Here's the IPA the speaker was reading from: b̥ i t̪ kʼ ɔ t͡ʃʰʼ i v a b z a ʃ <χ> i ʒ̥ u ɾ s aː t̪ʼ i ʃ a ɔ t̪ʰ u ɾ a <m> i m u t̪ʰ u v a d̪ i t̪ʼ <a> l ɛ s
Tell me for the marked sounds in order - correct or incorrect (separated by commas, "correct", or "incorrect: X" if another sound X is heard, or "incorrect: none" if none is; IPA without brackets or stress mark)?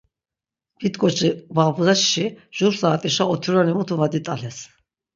incorrect: ʃ, incorrect: n, correct